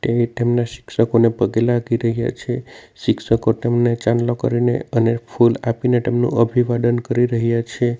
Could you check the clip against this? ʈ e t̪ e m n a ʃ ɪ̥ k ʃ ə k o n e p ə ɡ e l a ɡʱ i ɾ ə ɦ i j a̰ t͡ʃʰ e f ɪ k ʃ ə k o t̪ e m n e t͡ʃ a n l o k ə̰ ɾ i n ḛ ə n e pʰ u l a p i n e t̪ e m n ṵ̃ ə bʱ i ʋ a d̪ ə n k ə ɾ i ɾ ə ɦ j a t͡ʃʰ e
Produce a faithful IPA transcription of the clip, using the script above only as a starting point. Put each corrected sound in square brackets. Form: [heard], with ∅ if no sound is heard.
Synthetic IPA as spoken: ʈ e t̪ e m n a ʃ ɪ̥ k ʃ ə k o n e p ə ɡ e l a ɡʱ i ɾ ə ɦ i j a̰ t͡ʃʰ e [ʃ] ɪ k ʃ ə k o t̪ e m n e t͡ʃ a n l o k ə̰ ɾ i n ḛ ə n e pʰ u l a p i n e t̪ e m n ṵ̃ ə bʱ i ʋ a d̪ ə n k ə ɾ i ɾ ə ɦ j a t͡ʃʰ e